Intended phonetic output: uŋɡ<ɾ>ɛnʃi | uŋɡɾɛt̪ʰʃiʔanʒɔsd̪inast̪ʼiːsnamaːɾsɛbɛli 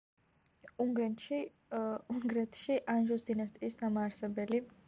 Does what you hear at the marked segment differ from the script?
no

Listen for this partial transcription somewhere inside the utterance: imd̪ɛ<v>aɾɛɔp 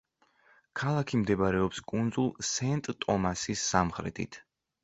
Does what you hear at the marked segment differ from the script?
yes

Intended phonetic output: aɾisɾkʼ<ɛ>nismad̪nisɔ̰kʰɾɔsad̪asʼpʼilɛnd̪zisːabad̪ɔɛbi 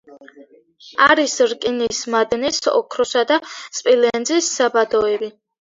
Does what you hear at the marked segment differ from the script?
yes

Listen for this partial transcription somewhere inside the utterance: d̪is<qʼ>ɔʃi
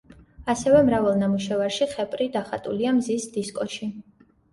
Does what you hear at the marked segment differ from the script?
yes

